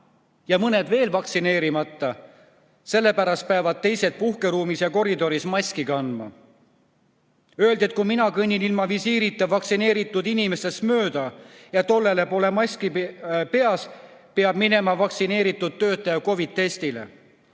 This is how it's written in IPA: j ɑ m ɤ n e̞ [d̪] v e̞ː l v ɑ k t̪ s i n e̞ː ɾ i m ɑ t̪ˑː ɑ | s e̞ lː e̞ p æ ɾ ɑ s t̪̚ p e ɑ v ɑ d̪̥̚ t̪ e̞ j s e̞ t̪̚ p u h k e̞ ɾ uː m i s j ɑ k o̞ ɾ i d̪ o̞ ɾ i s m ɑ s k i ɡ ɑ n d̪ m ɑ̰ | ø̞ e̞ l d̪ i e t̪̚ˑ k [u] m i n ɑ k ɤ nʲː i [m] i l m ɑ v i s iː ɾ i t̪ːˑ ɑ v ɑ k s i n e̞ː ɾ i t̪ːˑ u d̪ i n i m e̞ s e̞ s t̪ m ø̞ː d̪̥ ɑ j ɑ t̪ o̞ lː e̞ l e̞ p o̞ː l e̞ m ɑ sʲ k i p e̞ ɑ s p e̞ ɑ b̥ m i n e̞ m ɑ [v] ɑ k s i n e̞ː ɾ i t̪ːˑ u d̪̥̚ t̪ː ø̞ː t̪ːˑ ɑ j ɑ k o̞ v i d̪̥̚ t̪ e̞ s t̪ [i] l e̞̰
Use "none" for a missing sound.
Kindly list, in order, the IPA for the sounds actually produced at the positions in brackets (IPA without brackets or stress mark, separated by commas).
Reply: d̪, u, n, v, i